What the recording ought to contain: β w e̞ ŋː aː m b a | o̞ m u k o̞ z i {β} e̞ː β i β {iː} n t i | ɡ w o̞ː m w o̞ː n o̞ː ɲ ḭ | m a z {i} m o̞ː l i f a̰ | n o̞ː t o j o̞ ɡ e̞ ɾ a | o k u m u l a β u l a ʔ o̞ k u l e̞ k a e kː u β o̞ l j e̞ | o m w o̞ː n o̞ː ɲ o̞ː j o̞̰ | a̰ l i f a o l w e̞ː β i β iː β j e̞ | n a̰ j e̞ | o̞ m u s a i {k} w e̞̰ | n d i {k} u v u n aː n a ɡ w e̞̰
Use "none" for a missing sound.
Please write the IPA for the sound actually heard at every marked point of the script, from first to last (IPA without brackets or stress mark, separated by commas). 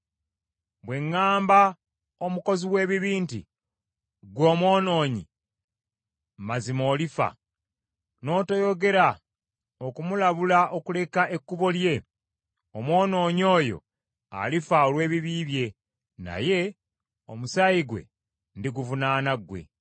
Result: w, iː, i, ɡ, ɡ